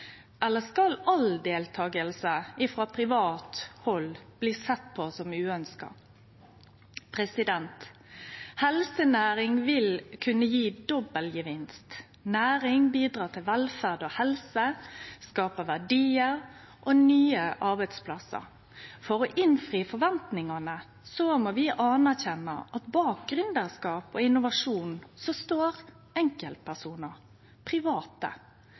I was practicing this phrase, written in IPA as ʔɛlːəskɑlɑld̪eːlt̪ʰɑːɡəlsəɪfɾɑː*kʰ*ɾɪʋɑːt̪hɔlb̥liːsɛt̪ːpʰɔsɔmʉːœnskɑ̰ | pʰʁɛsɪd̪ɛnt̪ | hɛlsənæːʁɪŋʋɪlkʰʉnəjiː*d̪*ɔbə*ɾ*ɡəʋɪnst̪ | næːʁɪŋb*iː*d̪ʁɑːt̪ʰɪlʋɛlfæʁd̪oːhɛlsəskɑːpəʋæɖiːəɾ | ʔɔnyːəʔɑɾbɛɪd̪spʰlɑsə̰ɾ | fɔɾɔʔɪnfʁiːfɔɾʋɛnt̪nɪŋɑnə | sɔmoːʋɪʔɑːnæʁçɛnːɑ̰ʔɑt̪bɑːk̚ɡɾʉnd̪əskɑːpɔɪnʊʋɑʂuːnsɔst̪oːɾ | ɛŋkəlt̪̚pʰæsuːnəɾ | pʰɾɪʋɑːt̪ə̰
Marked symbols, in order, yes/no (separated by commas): no, yes, no, yes